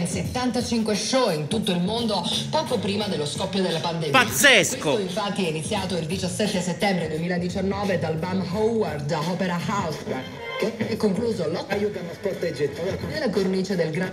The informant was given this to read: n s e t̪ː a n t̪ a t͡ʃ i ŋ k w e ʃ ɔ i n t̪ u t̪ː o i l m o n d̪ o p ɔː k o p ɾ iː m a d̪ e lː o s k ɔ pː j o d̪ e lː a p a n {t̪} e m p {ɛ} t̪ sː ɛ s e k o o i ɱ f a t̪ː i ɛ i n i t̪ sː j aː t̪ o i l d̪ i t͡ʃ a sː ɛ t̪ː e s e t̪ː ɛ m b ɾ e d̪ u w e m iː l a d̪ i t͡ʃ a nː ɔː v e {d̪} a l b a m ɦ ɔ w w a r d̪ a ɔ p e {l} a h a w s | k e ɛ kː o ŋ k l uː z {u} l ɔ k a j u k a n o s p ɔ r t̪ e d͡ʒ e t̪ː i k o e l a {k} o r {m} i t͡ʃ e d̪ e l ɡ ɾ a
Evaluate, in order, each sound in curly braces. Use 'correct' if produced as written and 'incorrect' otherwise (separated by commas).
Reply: incorrect, incorrect, correct, incorrect, incorrect, correct, incorrect